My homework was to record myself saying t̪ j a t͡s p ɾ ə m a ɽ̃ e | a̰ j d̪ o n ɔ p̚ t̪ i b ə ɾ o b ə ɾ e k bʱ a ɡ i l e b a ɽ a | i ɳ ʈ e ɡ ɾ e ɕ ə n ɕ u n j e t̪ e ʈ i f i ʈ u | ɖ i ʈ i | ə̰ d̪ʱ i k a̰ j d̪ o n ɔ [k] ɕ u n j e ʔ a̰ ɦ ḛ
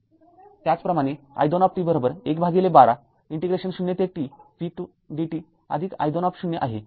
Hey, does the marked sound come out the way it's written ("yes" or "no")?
no